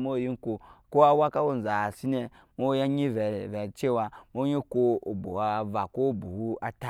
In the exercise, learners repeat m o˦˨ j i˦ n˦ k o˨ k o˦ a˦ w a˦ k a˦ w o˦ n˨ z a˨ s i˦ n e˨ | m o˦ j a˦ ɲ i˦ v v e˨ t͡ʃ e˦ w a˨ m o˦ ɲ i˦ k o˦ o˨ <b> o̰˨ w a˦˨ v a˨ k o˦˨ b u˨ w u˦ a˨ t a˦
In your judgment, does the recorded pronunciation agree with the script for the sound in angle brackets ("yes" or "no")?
yes